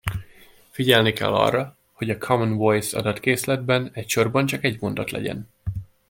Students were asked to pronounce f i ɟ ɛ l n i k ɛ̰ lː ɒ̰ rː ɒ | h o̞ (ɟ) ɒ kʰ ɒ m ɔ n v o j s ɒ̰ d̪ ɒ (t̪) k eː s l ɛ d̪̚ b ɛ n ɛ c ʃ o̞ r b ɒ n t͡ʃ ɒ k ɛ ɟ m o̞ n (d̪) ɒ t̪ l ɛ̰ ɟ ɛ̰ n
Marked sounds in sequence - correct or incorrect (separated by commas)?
correct, correct, correct